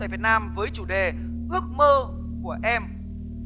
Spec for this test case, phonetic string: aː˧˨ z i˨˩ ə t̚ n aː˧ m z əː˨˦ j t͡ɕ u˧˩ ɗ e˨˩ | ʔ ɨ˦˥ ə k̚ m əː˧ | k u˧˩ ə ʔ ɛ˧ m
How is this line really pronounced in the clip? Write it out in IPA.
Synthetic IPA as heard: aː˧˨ v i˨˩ ə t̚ n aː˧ m v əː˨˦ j t͡ɕ u˧˩ ɗ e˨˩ | ʔ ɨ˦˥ ə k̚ m əː˧ | k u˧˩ ə ʔ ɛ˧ m